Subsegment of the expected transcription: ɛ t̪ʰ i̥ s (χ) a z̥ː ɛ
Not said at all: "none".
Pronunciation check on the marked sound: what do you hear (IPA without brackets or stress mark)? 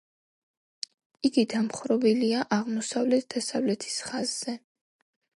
χ